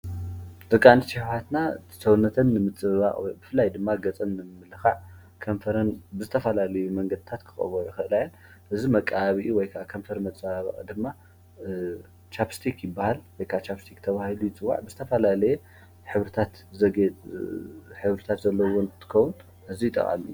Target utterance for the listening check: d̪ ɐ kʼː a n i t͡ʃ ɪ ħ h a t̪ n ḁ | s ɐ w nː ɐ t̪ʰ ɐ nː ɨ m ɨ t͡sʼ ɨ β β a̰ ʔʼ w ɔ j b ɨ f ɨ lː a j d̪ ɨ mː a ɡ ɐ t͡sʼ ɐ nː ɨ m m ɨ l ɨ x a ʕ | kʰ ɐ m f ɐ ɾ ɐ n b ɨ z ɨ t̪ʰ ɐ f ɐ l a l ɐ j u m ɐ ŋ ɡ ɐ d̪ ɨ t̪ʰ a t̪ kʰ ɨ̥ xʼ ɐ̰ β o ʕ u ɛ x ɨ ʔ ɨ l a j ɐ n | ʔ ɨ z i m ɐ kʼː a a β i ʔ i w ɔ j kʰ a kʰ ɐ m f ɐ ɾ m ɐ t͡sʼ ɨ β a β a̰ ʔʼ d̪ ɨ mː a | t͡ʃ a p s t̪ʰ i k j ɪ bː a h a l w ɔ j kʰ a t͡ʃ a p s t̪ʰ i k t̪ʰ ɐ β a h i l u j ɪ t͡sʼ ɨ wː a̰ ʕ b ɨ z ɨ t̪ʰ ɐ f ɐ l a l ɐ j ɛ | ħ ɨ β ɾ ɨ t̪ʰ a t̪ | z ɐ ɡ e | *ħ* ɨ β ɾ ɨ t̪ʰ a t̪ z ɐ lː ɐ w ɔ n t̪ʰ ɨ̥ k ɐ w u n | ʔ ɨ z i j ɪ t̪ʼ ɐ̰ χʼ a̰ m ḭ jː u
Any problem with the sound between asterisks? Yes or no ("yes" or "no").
no